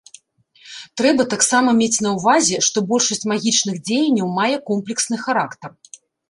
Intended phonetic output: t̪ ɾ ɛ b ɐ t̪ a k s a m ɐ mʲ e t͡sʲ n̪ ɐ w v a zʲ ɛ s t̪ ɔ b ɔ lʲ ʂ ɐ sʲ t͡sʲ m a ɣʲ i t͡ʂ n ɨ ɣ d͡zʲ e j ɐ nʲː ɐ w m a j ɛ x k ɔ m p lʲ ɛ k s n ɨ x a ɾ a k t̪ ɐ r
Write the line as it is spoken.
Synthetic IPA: t̪ ɾ ɛ b ɐ t̪ a k s a m ɐ mʲ e t͡sʲ n̪ ɐ w v a zʲ ɛ ʂ t̪ ɔ b ɔ lʲ ʂ ɐ sʲ t͡sʲ m a ɣʲ i t͡ʂ n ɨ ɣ d͡zʲ e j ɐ nʲː ɐ w m a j ɛ k ɔ m p lʲ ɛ k s n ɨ x a ɾ a k t̪ ɐ r

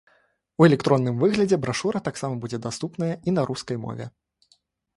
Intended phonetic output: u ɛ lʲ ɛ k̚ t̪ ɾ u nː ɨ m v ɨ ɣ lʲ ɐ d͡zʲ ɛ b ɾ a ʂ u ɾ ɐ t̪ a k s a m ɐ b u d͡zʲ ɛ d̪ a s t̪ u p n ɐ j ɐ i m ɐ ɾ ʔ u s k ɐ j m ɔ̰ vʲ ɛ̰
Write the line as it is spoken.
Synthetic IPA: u ɛ lʲ ɛ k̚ t̪ ɾ ɔ nː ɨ m v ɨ ɣ lʲ ɐ d͡zʲ ɛ b ɾ a ʂ u ɾ ɐ t̪ a k s a m ɐ b u d͡zʲ ɛ d̪ a s t̪ u p n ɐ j ɐ i n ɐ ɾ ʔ u s k ɐ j m ɔ̰ vʲ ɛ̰

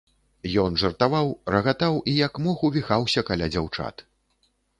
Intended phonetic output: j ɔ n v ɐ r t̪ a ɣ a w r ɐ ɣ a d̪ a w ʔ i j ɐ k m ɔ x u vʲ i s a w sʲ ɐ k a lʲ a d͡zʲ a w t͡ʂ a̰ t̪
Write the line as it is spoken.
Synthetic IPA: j ɔ n ʐ ɐ r t̪ a v a w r ɐ ɣ a t̪ a w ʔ i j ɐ k m ɔ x u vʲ i x a w sʲ ɐ k a lʲ a d͡zʲ a w t͡ʂ a̰ t̪

